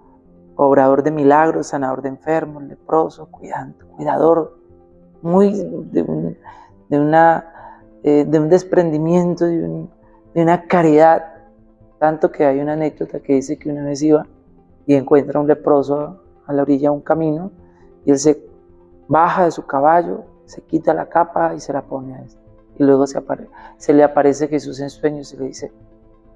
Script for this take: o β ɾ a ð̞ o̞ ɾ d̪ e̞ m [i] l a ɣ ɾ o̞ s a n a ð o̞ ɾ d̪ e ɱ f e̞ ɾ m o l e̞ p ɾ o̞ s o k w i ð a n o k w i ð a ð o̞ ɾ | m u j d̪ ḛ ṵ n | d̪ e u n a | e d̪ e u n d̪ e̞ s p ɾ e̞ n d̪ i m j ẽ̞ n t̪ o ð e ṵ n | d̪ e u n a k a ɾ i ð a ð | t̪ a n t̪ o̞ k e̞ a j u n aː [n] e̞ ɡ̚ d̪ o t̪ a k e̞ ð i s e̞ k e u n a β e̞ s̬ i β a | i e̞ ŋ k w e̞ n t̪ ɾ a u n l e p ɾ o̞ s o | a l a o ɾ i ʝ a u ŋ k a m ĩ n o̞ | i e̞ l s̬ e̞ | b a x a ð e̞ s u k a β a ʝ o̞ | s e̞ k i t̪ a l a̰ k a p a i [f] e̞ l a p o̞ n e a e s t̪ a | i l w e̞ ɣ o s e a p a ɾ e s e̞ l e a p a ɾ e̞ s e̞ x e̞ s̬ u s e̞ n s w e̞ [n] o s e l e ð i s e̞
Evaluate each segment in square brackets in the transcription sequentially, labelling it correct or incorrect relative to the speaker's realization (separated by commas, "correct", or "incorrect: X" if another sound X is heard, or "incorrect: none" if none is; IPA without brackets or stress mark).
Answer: correct, correct, incorrect: s, incorrect: ɲ